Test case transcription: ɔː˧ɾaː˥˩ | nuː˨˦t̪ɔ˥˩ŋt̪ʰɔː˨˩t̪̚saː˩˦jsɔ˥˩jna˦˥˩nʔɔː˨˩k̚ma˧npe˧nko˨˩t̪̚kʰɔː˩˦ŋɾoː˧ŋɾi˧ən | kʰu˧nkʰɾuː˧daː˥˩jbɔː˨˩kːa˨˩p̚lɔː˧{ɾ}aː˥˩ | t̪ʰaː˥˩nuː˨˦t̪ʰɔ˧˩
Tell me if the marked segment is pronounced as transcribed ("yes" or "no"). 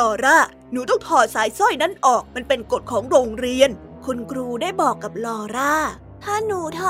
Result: yes